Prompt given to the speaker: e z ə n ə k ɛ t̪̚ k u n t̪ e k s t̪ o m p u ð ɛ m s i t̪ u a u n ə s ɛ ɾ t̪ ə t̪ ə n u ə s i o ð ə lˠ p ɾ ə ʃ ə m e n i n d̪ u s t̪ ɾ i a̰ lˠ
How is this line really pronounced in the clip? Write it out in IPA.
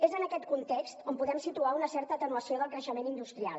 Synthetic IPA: e z ə n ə k ɛ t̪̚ k u n t̪ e k s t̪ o m p u ð ɛ m s i t̪ u a u n ə s ɛ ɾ t̪ ə t̪ ə n u ə s i o ð ə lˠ k ɾ ə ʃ ə m e n i n d̪ u s t̪ ɾ i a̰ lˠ

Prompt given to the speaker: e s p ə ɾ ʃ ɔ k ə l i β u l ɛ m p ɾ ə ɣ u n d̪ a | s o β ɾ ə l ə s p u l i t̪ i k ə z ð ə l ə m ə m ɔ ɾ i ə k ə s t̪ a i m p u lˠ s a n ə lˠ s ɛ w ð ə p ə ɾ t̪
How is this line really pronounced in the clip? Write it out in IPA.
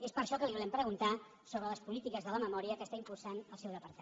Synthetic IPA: e s p ə ɾ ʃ ɔ k ə l i β u l ɛ m p ɾ ə ɣ u n t̪ a | s o β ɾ ə l ə s p u l i t̪ i k ə z ð ə l ə m ə m ɔ ɾ i ə k ə s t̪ a i m p u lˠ s a n ə lˠ s ɛ w ð ə p ə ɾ t̪

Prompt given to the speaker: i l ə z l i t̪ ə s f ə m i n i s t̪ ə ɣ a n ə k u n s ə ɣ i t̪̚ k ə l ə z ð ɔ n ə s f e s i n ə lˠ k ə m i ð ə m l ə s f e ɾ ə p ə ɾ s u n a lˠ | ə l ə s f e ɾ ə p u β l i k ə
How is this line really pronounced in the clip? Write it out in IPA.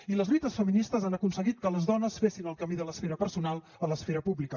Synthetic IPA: i l ə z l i t̪ ə s f ə m i n i s t̪ ə z a n ə k u n s ə ɣ i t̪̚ k ə l ə z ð ɔ n ə s f e s i n ə lˠ k ə m i ð ə l ə s f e ɾ ə p ə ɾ s u n a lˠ | ə l ə s f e ɾ ə p u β l i k ə

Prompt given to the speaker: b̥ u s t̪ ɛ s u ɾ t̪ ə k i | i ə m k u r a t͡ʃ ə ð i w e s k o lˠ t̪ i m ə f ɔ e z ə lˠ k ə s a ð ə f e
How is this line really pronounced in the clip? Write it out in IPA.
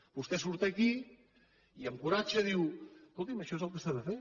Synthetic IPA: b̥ u s t̪ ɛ s u ɾ t̪ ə k i | i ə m k u ɾ a t͡ʃ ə ð i w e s k o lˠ t̪ i m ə ʃ ɔ e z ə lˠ k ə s a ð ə f e

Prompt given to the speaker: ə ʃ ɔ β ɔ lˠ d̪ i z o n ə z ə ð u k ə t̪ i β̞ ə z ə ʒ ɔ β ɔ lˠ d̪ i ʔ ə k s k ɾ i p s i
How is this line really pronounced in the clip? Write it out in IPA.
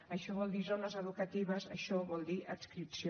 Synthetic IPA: ə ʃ ɔ β ɔ lˠ d̪ i z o n ə z ə ð u k ə t̪ i β̞ ə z ə ʃ ɔ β ɔ lˠ d̪ i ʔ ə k s k ɾ i p s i

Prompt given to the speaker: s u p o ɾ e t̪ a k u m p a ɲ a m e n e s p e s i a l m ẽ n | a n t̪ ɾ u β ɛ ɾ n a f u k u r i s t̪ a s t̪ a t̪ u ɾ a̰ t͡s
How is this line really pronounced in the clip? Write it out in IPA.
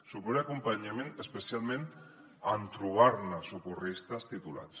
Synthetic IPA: s u p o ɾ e a k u m p a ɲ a m e n e s p e s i a l m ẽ n | a n t̪ ɾ u β a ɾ n a s u k u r i s t̪ a s t̪ i t̪ u l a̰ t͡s

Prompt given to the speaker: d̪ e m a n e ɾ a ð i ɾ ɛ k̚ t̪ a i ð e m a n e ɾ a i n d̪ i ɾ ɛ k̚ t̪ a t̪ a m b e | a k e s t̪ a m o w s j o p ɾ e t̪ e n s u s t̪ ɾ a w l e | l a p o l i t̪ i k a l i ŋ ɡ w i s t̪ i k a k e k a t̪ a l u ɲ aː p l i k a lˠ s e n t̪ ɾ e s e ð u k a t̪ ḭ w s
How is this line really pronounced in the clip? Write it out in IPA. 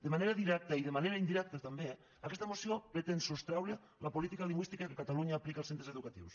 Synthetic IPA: d̪ e m a n e ɾ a ð i ɾ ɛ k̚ t̪ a i ð e m a n e ɾ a i n d̪ i ɾ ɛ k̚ t̪ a t̪ a m b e | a k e s t̪ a m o s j o p ɾ e t̪ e n s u s t̪ ɾ a w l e | l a p o l i t̪ i k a l i ŋ ɡ w i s t̪ i k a k e k a t̪ a l u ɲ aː p l i k a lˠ s e n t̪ ɾ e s e ð u k a t̪ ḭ w s

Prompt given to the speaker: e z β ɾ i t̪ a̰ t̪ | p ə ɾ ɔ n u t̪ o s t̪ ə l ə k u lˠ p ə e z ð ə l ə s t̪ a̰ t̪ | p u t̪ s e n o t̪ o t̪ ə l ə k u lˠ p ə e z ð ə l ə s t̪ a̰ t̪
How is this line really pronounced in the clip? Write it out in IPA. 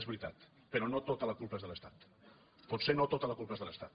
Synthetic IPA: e z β ɾ i t̪ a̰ t̪ | p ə ɾ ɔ n o t̪ o t̪ ə l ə k u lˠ p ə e z ð ə l ə s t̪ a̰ t̪ | p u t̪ s e n o t̪ o t̪ ə l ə k u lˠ p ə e z ð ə l ə s t̪ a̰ t̪

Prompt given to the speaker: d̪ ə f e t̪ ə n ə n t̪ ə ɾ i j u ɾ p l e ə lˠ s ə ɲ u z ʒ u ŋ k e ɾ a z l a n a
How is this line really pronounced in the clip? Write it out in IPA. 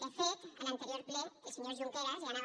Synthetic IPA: d̪ ə f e t̪ ə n ə n t̪ ə ɾ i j o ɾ p l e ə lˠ s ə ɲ o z ʒ u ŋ k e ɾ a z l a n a

